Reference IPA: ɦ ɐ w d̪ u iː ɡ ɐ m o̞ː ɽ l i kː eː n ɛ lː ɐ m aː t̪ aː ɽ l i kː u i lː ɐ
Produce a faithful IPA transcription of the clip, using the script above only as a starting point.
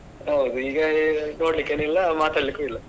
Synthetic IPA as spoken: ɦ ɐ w d̪ u iː ɡ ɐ n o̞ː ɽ l i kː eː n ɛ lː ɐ m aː t̪ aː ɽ l i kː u i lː ɐ

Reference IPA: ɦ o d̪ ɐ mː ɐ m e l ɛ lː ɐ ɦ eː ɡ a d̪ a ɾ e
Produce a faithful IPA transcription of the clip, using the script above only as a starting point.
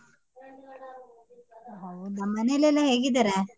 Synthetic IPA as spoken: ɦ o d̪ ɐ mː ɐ n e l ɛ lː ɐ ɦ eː ɡ i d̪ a ɾ e

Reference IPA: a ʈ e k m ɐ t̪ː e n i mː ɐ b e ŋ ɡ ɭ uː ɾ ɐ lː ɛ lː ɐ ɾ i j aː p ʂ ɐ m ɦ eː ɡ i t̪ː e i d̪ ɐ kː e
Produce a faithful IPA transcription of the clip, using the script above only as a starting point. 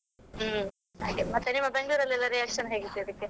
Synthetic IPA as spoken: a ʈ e m ɐ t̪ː e n i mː ɐ b e ŋ ɡ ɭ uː ɾ ɐ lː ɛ lː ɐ ɾ i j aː k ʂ ɐ n ɦ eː ɡ i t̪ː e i d̪ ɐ kː e

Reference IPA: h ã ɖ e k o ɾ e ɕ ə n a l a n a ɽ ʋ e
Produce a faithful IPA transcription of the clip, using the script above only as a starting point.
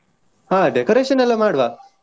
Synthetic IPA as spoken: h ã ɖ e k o ɾ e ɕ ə n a l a m a ɽ ʋ a

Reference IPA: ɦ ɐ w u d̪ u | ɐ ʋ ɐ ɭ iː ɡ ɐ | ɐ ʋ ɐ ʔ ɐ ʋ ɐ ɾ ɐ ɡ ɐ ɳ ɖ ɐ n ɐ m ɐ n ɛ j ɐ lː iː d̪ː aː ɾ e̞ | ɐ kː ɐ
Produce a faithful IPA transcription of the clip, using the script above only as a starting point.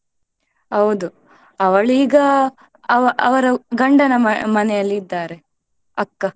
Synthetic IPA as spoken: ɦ ɐ w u d̪ u | ɐ ʋ ɐ ɭ iː ɡ ɐ | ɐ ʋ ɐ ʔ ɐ ʋ ɐ ɾ ɐ ɡ ɐ ɳ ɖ ɐ n ɐ m ɐ n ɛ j ɐ lː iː d̪ː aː ɾ e̞ | ɐ kː ɐ

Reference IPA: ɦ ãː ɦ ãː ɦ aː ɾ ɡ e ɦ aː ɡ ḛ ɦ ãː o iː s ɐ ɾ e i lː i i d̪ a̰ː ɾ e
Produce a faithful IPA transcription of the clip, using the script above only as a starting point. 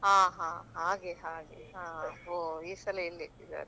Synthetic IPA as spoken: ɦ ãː ɦ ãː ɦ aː ɡ e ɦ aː ɡ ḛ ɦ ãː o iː s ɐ l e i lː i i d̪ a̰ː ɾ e

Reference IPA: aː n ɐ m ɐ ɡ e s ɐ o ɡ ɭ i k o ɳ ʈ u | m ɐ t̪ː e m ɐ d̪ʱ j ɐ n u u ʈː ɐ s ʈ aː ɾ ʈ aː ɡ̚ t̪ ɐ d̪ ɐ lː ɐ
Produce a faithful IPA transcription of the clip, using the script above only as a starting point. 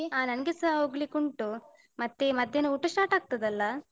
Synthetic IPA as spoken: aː n ɐ n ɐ ɡ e s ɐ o ɡ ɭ i k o ɳ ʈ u | m ɐ t̪ː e m ɐ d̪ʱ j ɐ n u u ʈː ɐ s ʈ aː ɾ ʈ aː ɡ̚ t̪ ɐ d̪ ɐ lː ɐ

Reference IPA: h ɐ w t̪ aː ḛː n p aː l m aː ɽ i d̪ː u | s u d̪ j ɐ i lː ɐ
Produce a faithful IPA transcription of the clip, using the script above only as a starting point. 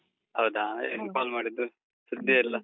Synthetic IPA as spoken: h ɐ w d̪ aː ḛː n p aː l m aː ɽ i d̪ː u | s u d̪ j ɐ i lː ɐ

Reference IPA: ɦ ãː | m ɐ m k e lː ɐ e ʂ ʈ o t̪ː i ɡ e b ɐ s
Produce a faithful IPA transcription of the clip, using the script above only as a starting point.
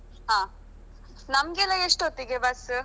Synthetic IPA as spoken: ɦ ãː | n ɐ m ɡ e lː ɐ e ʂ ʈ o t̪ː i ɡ e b ɐ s

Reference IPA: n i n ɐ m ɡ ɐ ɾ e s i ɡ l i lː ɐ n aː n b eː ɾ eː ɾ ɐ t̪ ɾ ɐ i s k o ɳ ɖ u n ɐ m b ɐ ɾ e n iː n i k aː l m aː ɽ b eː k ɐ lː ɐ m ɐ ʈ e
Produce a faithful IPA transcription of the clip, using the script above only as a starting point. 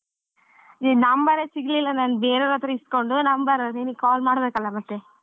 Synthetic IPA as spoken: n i n ɐ m b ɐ ɾ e s i ɡ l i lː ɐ n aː n b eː ɾ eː ɾ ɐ t̪ ɾ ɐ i s k o ɳ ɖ u n ɐ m b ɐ ɾ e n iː n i k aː l m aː ɽ b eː k ɐ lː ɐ m ɐ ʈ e

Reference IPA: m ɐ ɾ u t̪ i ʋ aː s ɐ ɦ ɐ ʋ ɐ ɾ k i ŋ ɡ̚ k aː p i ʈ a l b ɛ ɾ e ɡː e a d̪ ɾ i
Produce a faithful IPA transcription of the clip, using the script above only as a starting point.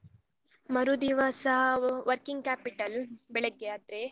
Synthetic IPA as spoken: m ɐ ɾ u d̪ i ʋ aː s ɐ ɦ ɐ ʋ ɐ ɾ k i ŋ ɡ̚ k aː p i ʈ ɐ l b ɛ ɭ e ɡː e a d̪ ɾ e

